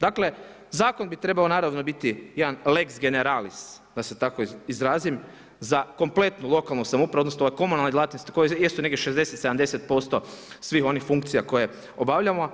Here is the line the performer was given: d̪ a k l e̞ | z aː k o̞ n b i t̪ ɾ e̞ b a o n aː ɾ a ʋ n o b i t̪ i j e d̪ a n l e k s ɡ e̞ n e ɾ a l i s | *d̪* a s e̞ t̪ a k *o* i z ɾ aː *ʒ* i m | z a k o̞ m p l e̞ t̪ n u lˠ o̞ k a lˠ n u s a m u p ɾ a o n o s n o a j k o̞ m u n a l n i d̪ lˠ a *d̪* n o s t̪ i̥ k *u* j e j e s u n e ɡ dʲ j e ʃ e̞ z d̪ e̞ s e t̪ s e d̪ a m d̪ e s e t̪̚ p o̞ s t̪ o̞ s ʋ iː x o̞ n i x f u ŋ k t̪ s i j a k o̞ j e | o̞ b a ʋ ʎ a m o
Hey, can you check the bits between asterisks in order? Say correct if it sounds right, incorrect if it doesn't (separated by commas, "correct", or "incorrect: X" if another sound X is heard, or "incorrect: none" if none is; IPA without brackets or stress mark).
correct, correct, incorrect: z, incorrect: t̪, incorrect: o